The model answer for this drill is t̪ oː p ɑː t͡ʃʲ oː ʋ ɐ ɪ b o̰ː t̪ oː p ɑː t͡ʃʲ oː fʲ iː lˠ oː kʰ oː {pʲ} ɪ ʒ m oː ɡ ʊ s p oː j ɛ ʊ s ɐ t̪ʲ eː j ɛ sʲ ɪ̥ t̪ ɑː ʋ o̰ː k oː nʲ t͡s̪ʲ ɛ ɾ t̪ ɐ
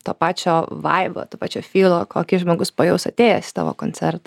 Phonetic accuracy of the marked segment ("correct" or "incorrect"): incorrect